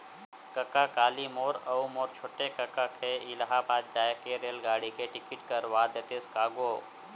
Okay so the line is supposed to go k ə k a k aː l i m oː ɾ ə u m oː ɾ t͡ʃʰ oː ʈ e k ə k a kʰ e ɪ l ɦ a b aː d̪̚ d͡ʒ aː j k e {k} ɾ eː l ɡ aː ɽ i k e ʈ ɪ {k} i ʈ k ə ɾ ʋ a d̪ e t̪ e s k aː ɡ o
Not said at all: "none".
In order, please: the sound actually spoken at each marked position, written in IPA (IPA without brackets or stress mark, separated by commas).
none, k